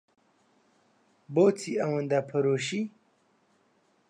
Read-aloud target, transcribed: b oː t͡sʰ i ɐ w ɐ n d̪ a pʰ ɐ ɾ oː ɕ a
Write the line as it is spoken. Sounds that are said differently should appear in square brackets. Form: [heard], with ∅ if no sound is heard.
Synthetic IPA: b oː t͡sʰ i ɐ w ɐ n d̪ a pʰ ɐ ɾ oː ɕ [i]